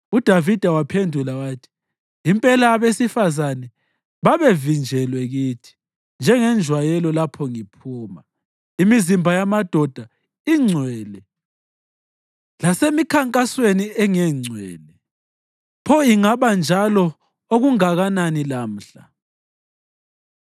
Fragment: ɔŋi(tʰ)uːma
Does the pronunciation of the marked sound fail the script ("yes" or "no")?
yes